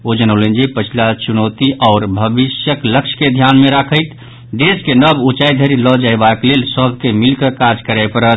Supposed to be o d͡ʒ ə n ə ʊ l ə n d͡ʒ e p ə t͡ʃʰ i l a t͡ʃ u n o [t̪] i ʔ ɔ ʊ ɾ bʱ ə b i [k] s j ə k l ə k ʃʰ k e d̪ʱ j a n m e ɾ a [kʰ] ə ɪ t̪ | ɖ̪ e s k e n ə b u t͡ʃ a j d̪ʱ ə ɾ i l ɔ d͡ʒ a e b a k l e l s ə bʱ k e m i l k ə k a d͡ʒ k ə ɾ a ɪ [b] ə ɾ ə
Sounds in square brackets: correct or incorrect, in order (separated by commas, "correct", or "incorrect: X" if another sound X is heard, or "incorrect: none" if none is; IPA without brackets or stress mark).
correct, incorrect: none, correct, incorrect: p